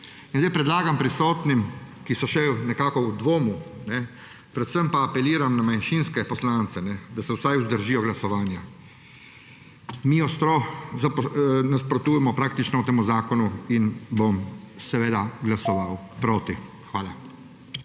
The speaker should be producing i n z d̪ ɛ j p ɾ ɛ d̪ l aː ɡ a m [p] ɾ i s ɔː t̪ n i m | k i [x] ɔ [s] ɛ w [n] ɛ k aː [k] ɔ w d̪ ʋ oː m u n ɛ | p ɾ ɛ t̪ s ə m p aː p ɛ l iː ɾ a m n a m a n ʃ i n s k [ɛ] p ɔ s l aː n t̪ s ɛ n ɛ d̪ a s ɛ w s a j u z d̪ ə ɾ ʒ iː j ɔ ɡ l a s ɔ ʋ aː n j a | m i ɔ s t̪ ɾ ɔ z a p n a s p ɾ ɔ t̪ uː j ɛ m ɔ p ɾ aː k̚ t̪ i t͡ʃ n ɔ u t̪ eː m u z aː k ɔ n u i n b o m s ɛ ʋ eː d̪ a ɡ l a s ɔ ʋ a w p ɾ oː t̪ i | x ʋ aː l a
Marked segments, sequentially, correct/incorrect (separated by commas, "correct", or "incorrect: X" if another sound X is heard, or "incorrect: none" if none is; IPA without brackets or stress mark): correct, incorrect: s, incorrect: ʃ, correct, correct, correct